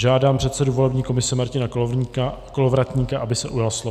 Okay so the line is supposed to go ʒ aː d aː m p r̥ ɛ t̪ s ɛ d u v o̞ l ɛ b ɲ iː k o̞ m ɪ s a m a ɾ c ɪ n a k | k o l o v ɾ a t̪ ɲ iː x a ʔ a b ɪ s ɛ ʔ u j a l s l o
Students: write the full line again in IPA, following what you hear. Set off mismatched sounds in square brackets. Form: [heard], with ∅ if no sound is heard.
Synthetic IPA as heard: ʒ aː d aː m p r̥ ɛ t̪ s ɛ d u v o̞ l ɛ b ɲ iː k o̞ m ɪ s [ɛ] m a ɾ c ɪ n a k | k o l o v ɾ a t̪ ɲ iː [k] a ʔ a b ɪ s ɛ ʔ u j a l s l o